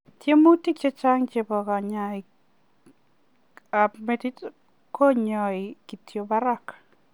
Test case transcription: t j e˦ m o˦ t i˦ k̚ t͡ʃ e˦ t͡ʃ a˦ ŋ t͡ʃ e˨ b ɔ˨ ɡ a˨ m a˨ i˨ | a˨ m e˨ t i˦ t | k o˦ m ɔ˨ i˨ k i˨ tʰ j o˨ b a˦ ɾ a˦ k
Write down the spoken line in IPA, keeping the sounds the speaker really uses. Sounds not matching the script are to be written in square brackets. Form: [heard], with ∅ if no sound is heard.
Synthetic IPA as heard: t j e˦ m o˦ t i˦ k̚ t͡ʃ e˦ t͡ʃ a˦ ŋ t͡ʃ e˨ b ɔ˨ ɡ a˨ [ɲ] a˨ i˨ | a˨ m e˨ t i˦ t | k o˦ [ɲ] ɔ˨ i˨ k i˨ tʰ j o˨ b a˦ ɾ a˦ k